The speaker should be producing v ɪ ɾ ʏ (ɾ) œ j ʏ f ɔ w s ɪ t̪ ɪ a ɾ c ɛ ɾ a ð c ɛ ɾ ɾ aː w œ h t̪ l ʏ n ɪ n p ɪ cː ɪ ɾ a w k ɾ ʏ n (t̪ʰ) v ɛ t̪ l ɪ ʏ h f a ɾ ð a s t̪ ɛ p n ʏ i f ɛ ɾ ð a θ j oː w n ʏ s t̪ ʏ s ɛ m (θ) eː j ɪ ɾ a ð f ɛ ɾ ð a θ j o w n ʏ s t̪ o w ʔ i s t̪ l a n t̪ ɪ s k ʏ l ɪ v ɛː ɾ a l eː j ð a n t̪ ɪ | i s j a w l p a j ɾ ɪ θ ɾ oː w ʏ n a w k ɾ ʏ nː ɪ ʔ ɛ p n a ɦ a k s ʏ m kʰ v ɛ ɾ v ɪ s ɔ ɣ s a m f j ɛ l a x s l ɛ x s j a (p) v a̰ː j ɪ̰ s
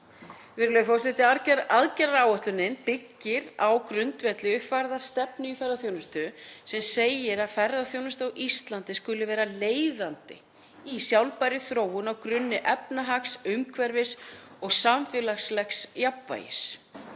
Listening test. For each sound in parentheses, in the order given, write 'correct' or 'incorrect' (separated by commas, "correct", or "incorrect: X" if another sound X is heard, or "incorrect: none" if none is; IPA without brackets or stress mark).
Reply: incorrect: l, incorrect: t̪, incorrect: s, correct